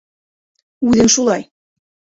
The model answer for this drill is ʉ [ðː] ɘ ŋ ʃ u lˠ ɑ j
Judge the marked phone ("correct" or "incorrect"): incorrect